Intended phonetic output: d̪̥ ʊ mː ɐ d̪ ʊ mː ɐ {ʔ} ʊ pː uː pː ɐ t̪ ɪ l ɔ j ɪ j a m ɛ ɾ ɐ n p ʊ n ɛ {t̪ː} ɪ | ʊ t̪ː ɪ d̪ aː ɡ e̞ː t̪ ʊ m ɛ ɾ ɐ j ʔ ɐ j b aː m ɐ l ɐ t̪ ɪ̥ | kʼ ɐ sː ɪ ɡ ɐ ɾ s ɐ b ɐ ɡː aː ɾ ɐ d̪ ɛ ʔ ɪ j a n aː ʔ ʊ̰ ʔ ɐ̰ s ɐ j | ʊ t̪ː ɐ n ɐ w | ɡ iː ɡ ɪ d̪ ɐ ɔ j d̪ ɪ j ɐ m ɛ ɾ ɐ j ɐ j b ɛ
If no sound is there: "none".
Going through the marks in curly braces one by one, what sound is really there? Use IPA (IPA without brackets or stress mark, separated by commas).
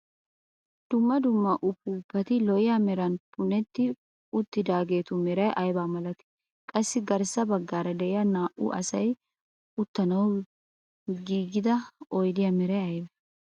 ʔ, t̪ː